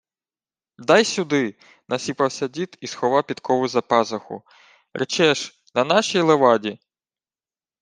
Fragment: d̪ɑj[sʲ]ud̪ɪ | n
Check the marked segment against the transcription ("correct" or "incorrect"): correct